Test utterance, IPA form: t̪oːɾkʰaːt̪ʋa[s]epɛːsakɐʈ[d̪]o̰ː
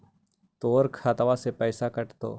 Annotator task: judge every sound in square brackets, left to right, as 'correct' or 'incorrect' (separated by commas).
correct, incorrect